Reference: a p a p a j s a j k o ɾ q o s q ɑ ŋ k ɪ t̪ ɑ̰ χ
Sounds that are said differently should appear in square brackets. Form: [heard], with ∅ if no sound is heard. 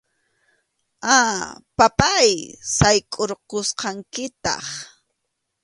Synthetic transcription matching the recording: a p a p a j s a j [kʼ] o ɾ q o s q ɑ ŋ k ɪ t̪ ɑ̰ χ